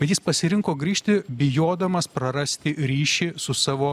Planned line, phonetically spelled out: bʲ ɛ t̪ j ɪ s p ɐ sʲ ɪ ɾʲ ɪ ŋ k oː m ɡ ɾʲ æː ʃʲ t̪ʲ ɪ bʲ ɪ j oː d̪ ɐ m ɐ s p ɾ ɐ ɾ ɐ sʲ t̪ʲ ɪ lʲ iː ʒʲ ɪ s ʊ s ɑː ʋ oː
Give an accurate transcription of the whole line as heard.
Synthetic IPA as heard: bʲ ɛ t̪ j ɪ s p ɐ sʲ ɪ ɾʲ ɪ ŋ k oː ɡ ɾʲ iː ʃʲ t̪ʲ ɪ bʲ ɪ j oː d̪ ɐ m ɐ s p ɾ ɐ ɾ ɐ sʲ t̪ʲ ɪ ɾʲ iː ʃʲ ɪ s ʊ s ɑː ʋ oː